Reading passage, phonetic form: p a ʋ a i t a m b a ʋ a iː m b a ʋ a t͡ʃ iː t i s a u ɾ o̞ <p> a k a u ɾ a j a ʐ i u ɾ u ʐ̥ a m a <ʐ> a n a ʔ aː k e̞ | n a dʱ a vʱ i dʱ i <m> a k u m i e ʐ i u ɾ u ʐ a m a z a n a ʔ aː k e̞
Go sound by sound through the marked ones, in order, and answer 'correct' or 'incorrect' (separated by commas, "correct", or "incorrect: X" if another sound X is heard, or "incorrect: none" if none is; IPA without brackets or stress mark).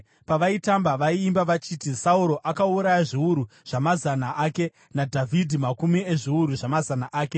incorrect: ʔ, incorrect: z, correct